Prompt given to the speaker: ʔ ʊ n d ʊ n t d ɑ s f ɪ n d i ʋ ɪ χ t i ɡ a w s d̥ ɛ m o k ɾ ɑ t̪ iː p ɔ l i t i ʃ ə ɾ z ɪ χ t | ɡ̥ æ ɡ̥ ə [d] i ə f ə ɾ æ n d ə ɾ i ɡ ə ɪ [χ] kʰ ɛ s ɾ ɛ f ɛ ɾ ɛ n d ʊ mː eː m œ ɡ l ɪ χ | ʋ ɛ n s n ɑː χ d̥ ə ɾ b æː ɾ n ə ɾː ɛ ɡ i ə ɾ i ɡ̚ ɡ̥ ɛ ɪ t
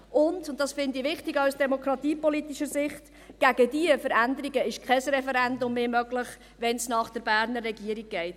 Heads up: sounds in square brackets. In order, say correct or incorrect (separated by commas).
correct, incorrect